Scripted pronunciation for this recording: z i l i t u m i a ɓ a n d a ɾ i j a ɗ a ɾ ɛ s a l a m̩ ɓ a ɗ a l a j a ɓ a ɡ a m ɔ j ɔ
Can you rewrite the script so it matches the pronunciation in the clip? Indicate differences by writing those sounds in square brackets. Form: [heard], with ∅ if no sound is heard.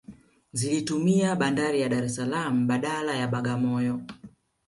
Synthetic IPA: z i l i t u m i a ɓ a n d a ɾ i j a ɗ a ɾ ɛ s a l a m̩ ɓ a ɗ a l a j a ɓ a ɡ a m ɔ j ɔ